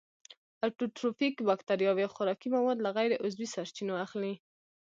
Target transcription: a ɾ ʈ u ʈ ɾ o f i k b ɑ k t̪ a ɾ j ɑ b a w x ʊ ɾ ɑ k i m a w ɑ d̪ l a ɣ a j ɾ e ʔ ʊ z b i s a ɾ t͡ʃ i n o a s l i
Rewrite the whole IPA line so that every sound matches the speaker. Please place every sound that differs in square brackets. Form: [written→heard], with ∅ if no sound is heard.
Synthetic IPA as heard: a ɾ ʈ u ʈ ɾ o f i k b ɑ k t̪ a ɾ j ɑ [b→w] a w x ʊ ɾ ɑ k i m a w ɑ d̪ l a ɣ a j ɾ e ʔ ʊ z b i s a ɾ t͡ʃ i n o a [s→x] l i